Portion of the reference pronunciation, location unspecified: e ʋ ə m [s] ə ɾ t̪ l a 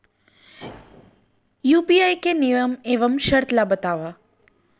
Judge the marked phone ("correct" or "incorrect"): incorrect